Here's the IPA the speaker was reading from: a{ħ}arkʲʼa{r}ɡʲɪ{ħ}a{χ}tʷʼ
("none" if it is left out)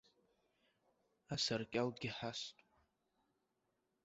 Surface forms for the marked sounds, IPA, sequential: s, l, ħ, s

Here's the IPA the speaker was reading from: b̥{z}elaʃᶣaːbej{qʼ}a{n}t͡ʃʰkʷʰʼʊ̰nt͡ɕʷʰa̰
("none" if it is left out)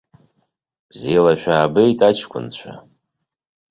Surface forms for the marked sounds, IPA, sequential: z, tʼ, none

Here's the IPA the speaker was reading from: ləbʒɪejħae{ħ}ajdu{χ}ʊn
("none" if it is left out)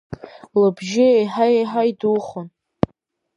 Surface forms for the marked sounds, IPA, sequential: ħ, χ

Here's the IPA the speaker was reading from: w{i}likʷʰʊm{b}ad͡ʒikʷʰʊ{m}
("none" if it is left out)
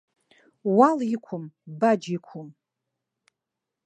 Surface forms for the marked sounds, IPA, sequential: a, b, m

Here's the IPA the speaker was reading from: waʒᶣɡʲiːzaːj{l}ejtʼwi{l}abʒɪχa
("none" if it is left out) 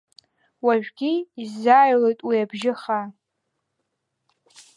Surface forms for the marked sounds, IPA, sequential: l, none

